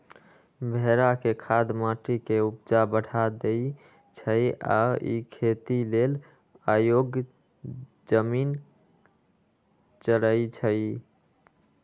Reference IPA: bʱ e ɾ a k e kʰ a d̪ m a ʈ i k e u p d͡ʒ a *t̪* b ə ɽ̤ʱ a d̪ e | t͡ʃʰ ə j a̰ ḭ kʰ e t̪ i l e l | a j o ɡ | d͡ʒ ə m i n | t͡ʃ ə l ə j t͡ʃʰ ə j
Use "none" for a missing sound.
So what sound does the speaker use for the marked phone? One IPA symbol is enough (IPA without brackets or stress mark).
none